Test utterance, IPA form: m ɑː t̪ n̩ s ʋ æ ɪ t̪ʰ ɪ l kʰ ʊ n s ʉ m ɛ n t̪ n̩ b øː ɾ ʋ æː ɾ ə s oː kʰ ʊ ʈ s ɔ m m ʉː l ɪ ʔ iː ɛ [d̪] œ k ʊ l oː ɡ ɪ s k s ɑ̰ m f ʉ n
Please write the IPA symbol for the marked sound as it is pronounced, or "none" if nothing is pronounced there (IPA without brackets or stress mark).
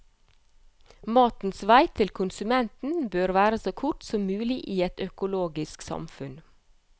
t̪